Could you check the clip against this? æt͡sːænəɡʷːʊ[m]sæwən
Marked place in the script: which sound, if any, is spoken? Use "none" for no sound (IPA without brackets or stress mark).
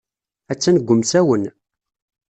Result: m